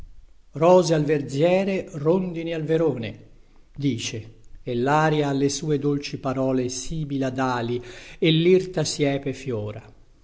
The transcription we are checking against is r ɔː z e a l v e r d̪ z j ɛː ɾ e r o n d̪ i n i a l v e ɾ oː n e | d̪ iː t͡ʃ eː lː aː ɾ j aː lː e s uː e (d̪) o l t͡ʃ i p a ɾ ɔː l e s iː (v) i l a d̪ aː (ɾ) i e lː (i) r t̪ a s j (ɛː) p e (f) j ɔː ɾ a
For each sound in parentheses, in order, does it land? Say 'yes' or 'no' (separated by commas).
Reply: yes, no, no, yes, yes, yes